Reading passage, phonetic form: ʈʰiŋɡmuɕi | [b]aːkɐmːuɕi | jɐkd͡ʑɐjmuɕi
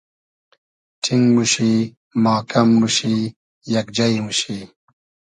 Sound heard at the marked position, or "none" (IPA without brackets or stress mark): m